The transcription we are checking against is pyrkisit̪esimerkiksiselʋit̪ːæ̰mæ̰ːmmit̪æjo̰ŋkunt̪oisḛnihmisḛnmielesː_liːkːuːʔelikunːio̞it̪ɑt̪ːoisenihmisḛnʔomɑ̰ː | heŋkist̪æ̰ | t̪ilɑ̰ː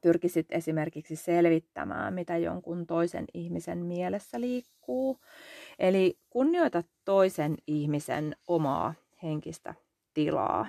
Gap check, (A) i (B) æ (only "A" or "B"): B